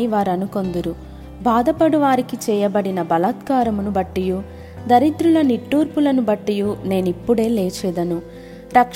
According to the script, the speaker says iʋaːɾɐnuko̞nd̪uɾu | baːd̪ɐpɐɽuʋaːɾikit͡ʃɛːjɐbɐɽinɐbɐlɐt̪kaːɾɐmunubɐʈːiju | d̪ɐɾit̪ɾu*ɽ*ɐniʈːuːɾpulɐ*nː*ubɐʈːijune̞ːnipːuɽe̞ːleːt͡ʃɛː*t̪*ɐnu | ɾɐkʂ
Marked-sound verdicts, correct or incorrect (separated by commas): incorrect, incorrect, incorrect